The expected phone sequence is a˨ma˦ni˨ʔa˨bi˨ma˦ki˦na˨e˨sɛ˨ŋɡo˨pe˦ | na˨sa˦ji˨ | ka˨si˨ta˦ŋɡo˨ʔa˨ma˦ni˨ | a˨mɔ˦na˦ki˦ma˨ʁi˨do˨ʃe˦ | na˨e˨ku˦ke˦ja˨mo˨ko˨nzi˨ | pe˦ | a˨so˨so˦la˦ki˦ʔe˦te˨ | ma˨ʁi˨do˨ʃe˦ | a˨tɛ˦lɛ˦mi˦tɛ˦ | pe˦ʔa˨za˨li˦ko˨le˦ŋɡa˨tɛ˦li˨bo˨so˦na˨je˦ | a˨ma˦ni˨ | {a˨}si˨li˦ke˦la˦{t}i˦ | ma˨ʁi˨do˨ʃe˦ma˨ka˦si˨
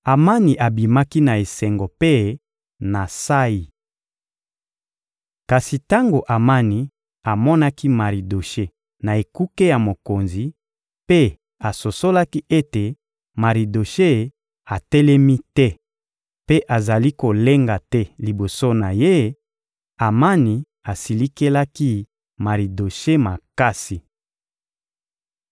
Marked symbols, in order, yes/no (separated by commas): yes, no